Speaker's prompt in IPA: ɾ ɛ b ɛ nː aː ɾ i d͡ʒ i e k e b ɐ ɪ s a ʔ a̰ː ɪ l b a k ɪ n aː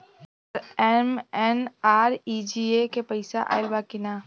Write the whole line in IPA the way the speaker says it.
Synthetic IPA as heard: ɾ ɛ m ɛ n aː ɾ i d͡ʒ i e k e p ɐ ɪ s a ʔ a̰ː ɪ l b a k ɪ n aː